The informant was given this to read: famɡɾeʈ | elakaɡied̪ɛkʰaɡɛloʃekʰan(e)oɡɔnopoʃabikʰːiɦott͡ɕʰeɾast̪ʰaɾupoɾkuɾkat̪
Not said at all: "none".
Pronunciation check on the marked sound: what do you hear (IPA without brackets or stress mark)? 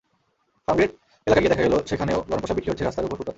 e